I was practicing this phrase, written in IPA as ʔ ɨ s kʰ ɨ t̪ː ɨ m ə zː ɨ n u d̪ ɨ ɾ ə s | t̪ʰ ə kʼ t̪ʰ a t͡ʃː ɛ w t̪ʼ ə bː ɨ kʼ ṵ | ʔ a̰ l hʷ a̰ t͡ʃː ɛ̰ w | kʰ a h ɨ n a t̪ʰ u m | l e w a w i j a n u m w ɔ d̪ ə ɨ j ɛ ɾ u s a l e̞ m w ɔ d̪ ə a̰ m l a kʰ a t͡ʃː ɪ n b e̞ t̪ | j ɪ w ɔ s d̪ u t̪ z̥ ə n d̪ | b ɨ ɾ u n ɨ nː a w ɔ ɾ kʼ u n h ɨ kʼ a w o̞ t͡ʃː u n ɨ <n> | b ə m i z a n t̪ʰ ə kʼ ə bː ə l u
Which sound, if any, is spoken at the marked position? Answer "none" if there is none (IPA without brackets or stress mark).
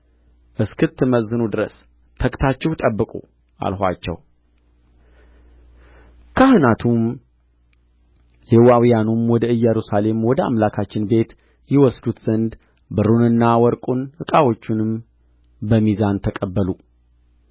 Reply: m